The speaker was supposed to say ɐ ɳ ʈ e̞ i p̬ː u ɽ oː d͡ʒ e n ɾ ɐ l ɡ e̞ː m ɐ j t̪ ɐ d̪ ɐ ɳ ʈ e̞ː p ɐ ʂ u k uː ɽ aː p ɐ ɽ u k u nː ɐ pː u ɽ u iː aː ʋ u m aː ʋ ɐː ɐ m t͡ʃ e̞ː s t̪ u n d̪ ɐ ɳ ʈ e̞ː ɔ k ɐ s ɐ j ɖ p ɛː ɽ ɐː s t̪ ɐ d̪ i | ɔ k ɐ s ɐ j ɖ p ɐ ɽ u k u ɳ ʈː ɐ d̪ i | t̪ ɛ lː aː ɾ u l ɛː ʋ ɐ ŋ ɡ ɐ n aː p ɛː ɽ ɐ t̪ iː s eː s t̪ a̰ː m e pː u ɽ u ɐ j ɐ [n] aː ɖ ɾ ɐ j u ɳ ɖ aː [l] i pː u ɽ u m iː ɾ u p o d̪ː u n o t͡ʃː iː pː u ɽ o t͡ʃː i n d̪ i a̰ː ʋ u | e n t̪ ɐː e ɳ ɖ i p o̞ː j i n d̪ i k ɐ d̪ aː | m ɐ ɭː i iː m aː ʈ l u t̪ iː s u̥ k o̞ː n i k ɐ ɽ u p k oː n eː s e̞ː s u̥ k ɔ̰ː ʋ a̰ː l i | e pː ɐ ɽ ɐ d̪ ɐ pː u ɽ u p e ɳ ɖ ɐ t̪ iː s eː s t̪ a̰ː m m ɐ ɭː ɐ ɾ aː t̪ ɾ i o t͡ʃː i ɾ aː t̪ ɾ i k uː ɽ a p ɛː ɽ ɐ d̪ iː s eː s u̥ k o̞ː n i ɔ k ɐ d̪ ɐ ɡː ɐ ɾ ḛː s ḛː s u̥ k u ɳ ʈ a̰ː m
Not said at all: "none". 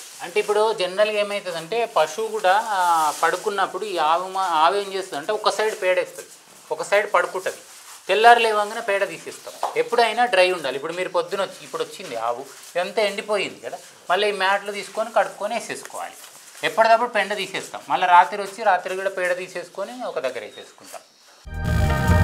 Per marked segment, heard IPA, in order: n, l

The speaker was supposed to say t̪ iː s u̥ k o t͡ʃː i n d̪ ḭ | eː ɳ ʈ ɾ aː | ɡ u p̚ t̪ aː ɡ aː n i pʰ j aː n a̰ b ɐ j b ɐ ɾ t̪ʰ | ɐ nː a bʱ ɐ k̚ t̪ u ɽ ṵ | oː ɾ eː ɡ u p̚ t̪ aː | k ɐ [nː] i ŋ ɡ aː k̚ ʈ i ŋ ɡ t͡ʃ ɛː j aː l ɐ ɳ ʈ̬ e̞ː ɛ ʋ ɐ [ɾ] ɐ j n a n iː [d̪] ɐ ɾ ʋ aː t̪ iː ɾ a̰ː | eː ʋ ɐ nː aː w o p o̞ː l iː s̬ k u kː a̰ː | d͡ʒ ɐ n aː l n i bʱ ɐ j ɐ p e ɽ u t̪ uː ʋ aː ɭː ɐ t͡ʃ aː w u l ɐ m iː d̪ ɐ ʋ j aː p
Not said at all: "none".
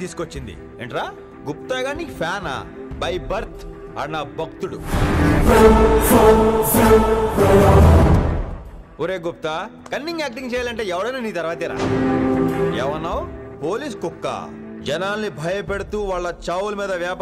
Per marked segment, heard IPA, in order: nː, ɽ, t̪

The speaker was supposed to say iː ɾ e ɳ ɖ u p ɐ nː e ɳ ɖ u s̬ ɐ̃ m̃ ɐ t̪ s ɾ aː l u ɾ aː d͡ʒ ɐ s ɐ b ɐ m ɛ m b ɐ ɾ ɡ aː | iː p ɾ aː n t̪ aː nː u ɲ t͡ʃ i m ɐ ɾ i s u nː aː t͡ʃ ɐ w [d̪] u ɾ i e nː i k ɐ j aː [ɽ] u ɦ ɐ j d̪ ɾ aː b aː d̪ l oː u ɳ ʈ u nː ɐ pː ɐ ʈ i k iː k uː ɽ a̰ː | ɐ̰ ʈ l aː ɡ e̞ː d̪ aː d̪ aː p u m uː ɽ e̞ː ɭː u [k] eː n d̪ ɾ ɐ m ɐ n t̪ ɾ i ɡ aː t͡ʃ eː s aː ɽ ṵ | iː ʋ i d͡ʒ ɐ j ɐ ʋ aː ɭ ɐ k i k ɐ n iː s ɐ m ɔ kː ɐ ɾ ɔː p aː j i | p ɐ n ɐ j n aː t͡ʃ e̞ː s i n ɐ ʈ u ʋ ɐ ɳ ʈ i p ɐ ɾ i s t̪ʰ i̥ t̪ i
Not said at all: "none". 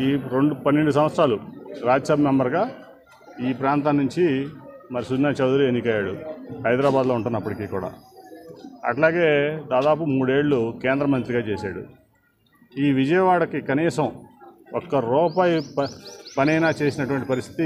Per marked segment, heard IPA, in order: d̪, ɽ, k

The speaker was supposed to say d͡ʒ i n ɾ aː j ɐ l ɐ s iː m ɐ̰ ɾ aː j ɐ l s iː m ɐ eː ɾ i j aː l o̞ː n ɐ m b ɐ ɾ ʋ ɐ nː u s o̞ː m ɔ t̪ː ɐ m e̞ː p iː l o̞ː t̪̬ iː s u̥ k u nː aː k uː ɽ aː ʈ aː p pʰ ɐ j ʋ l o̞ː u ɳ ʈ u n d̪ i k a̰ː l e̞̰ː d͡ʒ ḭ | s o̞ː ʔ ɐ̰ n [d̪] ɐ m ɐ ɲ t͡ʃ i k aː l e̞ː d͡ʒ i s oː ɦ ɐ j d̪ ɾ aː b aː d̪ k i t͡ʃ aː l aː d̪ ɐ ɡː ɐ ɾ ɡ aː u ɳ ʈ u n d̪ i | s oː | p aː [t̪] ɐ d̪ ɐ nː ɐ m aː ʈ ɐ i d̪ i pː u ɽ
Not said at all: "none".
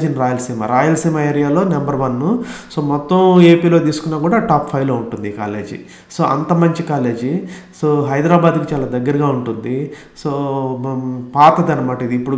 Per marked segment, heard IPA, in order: t̪, t̪

